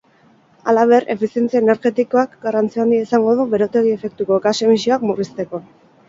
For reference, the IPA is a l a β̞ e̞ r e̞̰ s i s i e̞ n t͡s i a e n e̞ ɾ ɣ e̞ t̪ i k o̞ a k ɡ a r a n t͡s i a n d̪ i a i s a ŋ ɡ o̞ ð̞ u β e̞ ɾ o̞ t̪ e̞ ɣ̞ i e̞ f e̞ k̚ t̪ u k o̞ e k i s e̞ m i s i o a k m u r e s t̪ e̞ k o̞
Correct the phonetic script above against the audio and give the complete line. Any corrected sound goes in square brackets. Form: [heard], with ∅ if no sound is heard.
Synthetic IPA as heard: a l a β̞ e̞ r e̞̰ [f] i s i e̞ n t͡s i a e n e̞ ɾ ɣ e̞ t̪ i k o̞ a k ɡ a r a n t͡s i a n d̪ i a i s a ŋ ɡ o̞ ð̞ u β e̞ ɾ o̞ t̪ e̞ ɣ̞ i e̞ f e̞ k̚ t̪ u k o̞ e k [a] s e̞ m i s i o a k m u r [i] s t̪ e̞ k o̞

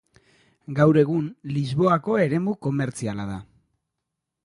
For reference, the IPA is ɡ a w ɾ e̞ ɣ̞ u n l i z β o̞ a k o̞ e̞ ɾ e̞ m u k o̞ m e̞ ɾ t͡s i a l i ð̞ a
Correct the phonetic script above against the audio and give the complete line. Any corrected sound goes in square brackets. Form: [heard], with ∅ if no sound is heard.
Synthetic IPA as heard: ɡ a w ɾ e̞ ɣ̞ u n l i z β o̞ a k o̞ e̞ ɾ e̞ m u k o̞ m e̞ ɾ t͡s i a l [a] ð̞ a

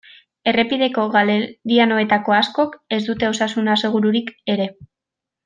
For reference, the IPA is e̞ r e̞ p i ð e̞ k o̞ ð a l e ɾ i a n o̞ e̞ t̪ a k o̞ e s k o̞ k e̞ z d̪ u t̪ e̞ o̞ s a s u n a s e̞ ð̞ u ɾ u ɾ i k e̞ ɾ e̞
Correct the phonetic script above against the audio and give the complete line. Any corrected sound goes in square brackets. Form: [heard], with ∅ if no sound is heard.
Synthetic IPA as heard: e̞ r e̞ p i ð e̞ k o̞ [ɣ] a l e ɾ i a n o̞ e̞ t̪ a k o̞ [a] s k o̞ k e̞ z d̪ u t̪ e̞ o̞ s a s u n a s e̞ [ɣ̞] u ɾ u ɾ i k e̞ ɾ e̞

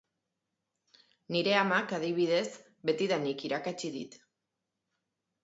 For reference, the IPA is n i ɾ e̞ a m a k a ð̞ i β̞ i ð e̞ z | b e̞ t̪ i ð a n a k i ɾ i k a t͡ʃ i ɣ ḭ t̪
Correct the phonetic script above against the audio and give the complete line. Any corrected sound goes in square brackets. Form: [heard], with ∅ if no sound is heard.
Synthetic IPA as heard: n i ɾ e̞ a m a k a ð̞ i β̞ i ð e̞ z | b e̞ t̪ i ð a n [i] k i ɾ [a] k a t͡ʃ i [ð] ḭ t̪

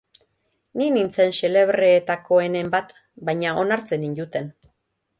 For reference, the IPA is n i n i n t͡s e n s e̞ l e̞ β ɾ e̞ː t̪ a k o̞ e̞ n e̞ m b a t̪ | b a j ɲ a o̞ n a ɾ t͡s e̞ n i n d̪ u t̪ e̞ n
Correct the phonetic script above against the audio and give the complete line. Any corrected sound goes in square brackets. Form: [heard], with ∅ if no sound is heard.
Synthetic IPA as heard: n i n i n t͡s e n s e̞ l e̞ β ɾ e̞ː t̪ a k o̞ e̞ n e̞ m b a t̪ | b a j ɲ a o̞ n a ɾ t͡s e̞ n i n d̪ u t̪ e̞ n

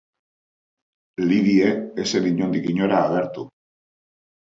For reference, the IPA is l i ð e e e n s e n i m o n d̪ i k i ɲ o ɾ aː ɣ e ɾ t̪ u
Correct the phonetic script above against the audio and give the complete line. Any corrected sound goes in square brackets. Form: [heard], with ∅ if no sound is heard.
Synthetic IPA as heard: l i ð [i] e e [∅] s e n i [ɲ] o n d̪ i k i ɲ o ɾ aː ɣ e ɾ t̪ u

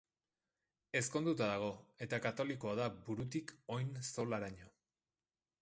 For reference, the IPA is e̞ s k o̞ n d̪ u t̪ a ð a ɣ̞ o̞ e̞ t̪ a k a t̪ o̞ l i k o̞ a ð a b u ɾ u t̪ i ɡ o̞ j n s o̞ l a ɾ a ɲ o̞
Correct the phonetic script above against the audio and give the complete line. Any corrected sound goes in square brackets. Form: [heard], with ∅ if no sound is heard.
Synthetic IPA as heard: e̞ s k o̞ n d̪ u t̪ a ð a ɣ̞ o̞ e̞ t̪ a k a t̪ o̞ l i k o̞ a ð a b u ɾ u t̪ i [k] o̞ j n s o̞ l a ɾ a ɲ o̞

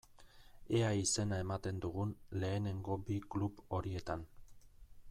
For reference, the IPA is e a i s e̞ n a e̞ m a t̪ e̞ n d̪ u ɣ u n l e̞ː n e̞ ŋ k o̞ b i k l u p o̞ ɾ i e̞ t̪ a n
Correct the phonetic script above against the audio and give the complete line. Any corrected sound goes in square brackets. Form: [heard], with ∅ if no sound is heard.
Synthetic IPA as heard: e a i s e̞ n a e̞ m a t̪ e̞ n d̪ u ɣ u n l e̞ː n e̞ ŋ [ɡ] o̞ b i k l u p o̞ ɾ i e̞ t̪ a n

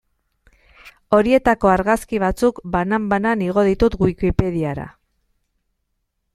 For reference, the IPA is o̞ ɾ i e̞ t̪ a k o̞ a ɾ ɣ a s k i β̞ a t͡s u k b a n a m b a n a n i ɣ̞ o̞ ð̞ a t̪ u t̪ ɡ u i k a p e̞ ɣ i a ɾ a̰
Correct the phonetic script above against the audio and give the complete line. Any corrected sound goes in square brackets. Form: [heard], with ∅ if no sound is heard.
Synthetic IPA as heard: o̞ ɾ i e̞ t̪ a k o̞ a ɾ ɣ a s k i β̞ a t͡s u k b a n a m b a n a n i ɣ̞ o̞ ð̞ [i] t̪ u t̪ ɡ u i k [i] p e̞ [ð] i a ɾ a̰

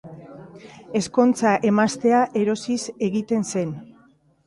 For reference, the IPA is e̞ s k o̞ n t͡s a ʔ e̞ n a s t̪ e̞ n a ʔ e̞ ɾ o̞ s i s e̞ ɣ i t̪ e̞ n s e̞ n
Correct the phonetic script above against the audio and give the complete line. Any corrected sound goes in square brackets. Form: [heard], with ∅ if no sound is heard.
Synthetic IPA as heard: e̞ s k o̞ n t͡s a ʔ e̞ [m] a s t̪ e̞ [∅] a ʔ e̞ ɾ o̞ s i s e̞ ɣ i t̪ e̞ n s e̞ n

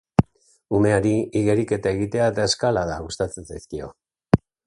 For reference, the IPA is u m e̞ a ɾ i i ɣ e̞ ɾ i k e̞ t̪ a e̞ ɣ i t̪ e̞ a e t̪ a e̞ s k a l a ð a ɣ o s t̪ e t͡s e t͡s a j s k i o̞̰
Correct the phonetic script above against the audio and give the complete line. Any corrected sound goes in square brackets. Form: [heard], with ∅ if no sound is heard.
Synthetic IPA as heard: u m e̞ a ɾ i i ɣ e̞ ɾ i k e̞ t̪ a e̞ ɣ i t̪ e̞ a e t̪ a e̞ s k a l a ð a ɣ [u] s t̪ [a] t͡s e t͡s a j s k i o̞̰

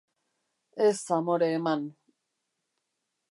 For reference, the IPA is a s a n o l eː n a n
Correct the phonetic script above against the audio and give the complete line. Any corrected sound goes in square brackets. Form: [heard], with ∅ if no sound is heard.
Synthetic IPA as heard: [e] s a [m] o [ɾ] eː [m] a n

